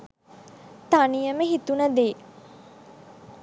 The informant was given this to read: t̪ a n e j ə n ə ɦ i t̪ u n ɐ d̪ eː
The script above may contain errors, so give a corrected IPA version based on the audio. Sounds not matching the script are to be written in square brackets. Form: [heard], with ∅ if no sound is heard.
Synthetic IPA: t̪ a n [i] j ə [m] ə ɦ i t̪ u n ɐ d̪ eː